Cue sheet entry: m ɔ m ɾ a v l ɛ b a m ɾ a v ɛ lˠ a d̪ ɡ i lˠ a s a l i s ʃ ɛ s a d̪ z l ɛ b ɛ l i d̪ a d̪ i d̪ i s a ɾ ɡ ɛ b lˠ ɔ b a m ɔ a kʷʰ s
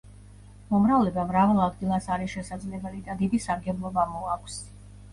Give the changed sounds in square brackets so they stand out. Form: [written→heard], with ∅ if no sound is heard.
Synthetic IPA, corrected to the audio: m ɔ m ɾ a v l ɛ b a m ɾ a v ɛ lˠ a d̪ ɡ i lˠ a s a [l→ɾ] i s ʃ ɛ s a d̪ z l ɛ b ɛ l i d̪ a d̪ i d̪ i s a ɾ ɡ ɛ b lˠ ɔ b a m ɔ a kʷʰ s